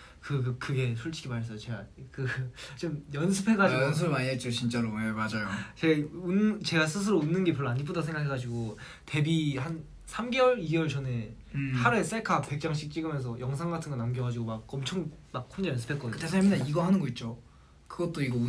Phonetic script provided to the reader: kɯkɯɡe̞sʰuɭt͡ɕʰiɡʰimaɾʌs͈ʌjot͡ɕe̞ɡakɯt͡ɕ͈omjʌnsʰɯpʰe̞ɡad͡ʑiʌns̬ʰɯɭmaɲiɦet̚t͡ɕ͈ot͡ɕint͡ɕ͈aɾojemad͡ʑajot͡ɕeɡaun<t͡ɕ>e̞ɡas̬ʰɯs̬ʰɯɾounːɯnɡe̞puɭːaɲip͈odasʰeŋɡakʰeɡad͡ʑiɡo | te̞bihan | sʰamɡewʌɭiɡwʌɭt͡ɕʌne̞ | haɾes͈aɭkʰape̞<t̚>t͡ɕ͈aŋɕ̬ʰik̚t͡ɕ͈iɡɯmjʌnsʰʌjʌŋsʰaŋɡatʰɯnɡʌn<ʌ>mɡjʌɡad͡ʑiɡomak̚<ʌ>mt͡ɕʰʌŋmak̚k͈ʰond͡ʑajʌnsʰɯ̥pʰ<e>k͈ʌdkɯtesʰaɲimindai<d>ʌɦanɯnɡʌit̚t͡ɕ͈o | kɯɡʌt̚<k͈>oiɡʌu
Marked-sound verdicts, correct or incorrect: correct, incorrect, incorrect, correct, correct, incorrect, incorrect

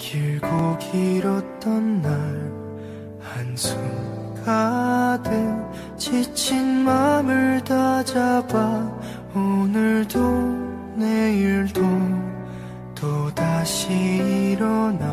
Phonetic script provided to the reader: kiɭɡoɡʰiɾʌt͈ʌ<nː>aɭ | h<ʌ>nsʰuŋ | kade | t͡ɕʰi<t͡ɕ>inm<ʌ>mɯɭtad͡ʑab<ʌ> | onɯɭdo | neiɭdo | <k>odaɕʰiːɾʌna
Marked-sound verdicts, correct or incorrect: correct, incorrect, incorrect, incorrect, incorrect, incorrect

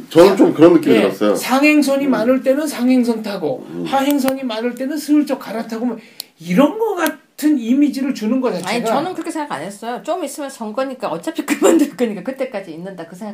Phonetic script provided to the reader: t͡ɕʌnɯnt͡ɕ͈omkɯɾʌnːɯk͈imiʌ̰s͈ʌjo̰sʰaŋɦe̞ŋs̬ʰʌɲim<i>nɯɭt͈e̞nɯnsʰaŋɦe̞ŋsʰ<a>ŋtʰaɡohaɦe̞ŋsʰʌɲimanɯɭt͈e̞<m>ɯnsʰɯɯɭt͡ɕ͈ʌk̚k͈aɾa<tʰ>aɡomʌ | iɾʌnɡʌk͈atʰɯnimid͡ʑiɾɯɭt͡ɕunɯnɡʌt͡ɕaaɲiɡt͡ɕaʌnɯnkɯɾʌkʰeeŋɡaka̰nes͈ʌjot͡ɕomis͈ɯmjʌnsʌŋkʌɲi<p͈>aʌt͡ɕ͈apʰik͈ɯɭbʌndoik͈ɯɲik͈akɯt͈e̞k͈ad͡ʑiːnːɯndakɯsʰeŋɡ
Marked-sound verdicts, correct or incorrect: incorrect, incorrect, incorrect, correct, incorrect

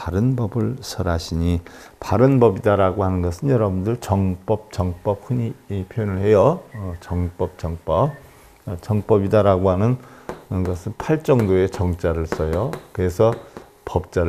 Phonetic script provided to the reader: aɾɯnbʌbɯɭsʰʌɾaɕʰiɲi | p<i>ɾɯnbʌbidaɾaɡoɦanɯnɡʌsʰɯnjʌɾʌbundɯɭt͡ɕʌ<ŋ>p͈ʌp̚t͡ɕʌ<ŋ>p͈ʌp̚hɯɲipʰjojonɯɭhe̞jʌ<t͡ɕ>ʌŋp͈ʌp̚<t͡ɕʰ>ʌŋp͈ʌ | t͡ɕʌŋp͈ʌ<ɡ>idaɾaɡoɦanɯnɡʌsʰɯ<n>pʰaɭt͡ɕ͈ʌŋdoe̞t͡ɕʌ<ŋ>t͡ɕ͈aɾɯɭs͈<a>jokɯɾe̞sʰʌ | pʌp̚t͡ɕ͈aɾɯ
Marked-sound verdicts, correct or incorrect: incorrect, correct, correct, correct, incorrect, incorrect, correct, correct, incorrect

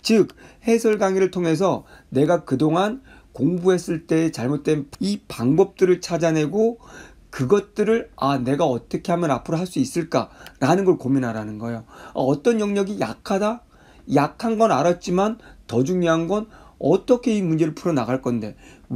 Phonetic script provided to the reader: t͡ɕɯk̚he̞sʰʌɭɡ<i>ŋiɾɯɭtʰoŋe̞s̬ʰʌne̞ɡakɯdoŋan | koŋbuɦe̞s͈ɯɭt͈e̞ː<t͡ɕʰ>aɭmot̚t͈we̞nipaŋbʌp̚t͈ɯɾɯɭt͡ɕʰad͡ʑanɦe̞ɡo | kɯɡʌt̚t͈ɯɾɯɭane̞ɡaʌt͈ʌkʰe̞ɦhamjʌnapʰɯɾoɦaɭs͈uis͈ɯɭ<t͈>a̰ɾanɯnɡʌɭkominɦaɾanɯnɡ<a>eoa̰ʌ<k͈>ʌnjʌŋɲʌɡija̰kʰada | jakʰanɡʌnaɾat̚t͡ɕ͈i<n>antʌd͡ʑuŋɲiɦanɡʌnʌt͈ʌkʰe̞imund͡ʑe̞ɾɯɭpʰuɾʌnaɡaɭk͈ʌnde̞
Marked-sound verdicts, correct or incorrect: incorrect, incorrect, incorrect, incorrect, incorrect, incorrect

